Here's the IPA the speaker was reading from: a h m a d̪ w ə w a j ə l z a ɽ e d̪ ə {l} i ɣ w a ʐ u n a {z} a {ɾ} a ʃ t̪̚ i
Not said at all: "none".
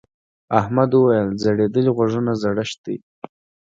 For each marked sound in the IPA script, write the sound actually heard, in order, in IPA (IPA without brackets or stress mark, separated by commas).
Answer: l, z, ɽ